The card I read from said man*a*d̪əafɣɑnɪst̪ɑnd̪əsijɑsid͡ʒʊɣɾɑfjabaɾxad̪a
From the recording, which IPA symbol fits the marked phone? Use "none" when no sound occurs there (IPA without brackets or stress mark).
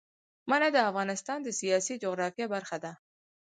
a